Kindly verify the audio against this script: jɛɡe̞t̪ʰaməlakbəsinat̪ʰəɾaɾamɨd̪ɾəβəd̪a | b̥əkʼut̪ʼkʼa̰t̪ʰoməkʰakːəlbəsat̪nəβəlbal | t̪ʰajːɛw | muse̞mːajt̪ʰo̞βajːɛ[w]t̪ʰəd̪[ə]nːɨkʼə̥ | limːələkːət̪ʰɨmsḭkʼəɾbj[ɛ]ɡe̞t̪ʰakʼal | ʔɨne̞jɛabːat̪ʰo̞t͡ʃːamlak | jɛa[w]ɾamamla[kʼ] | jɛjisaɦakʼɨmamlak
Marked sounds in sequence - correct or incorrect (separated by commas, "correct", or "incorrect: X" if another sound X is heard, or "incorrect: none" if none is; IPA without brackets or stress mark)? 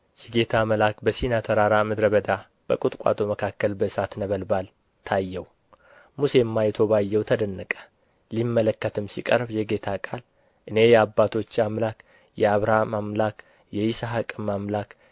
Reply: correct, correct, correct, incorrect: β, incorrect: k